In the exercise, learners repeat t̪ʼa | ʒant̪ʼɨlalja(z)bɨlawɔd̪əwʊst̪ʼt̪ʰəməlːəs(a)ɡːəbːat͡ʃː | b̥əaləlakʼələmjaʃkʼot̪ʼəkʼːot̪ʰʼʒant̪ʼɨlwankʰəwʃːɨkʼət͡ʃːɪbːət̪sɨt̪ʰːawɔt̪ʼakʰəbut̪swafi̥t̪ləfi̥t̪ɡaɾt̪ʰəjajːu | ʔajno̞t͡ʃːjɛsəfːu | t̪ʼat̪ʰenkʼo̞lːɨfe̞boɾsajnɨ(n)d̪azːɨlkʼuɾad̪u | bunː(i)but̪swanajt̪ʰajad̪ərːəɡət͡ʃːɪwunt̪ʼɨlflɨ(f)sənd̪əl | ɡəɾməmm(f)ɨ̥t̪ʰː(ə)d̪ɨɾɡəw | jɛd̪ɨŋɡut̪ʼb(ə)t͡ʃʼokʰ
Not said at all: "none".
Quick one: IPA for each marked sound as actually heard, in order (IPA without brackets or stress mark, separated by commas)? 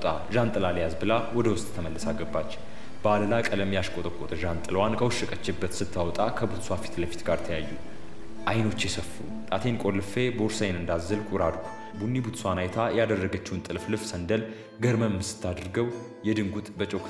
z, a, n, i, f, s, a, ə